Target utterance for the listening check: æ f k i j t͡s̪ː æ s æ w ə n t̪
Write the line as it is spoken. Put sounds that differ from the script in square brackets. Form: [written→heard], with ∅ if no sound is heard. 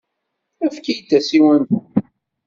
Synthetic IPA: æ f k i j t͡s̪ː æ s [æ→i] w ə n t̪